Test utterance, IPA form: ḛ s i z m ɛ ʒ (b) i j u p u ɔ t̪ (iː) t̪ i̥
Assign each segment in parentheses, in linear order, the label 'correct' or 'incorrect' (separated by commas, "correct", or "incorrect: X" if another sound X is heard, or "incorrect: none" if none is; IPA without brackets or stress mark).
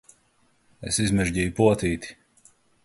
incorrect: ɟ, correct